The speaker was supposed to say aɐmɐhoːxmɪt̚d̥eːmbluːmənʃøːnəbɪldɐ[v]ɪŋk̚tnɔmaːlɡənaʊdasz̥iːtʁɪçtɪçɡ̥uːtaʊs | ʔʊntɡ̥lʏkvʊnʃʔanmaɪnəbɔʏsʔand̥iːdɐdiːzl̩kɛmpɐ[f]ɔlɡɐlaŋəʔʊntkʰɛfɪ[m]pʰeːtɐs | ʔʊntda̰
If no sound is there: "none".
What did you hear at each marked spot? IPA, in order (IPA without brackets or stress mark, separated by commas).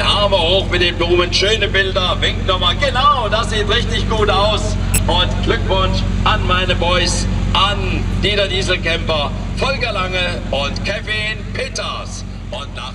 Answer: v, f, n